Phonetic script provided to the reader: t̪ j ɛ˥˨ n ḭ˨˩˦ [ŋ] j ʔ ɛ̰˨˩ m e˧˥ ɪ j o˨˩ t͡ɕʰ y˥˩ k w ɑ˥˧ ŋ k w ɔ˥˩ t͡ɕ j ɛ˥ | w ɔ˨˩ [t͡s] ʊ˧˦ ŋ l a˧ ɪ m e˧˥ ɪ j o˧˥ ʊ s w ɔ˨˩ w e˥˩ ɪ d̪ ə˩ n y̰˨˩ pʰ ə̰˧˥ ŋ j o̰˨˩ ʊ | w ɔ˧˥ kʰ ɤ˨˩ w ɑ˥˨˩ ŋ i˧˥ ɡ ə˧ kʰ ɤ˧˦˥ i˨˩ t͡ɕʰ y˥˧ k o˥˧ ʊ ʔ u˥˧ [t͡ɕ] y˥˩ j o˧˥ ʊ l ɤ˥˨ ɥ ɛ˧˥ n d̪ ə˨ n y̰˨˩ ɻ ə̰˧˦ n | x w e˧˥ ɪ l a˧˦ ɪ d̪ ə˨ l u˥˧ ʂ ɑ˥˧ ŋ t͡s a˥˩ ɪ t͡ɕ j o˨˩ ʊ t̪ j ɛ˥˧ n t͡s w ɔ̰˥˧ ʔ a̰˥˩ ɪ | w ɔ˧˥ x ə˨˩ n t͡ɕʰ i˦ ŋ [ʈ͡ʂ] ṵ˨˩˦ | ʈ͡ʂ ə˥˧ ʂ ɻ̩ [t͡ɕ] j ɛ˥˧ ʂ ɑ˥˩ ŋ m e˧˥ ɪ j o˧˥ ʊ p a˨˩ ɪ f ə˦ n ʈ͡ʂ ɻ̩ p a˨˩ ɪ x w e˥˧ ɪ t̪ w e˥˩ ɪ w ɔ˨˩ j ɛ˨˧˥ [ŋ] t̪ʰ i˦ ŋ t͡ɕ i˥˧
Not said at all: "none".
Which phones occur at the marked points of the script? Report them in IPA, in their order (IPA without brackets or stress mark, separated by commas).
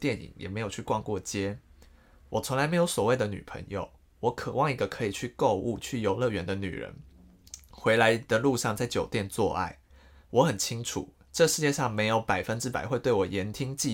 ŋ, t͡sʰ, t͡ɕʰ, ʈ͡ʂʰ, t͡ɕ, n